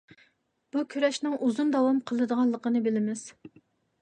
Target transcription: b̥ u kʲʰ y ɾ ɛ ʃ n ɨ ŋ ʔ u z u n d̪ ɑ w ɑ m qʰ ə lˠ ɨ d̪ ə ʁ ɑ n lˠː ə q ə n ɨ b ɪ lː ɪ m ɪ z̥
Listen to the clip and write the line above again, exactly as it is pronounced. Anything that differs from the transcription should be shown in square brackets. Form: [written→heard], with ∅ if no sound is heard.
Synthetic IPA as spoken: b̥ u kʲʰ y ɾ ɛ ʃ n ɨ ŋ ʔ u z u n d̪ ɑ w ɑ m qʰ ə lˠ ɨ d̪ ə ʁ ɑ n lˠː ə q ə n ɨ b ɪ [lː→l] ɪ m ɪ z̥